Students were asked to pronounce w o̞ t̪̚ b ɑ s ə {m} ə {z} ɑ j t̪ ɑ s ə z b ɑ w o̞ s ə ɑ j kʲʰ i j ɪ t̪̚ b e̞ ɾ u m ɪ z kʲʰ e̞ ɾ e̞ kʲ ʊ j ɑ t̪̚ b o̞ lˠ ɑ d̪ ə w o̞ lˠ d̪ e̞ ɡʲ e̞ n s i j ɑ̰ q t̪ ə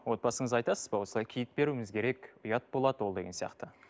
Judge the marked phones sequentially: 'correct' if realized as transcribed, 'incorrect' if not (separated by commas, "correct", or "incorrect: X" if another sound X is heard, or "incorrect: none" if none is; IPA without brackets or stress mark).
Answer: incorrect: ɴ, correct